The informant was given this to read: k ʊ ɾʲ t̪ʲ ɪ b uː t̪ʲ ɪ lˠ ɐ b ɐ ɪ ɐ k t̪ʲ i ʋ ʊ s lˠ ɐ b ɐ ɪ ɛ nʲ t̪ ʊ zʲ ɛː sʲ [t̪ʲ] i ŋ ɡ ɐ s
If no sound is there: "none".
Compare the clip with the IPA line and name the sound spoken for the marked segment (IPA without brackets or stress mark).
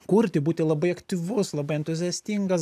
t̪ʲ